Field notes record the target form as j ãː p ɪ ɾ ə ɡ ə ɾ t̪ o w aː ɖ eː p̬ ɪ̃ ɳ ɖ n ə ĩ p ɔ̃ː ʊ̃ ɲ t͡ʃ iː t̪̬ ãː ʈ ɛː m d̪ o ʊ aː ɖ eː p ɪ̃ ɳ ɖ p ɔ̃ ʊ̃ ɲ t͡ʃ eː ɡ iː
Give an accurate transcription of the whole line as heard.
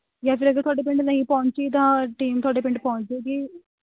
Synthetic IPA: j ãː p ɪ ɾ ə ɡ ə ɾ t̪ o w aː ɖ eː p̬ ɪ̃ ɳ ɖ n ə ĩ p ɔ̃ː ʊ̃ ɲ t͡ʃ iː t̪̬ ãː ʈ iː m t̪ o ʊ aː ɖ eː p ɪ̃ ɳ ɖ p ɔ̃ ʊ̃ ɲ t͡ʃ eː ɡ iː